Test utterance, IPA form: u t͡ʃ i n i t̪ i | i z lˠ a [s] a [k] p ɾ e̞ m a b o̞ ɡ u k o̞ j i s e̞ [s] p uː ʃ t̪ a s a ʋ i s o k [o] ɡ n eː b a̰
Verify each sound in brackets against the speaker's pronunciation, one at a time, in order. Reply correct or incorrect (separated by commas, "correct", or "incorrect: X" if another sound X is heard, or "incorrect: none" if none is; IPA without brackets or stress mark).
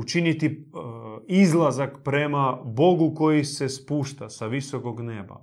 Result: incorrect: z, correct, correct, correct